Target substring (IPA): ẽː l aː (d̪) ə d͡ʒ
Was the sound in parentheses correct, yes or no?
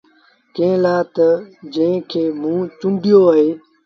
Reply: no